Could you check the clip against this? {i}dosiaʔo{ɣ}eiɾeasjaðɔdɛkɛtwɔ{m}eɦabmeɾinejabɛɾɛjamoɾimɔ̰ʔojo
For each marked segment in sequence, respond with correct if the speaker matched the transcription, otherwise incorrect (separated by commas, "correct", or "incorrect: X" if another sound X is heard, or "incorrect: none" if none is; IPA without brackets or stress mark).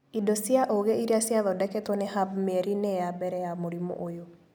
correct, correct, incorrect: n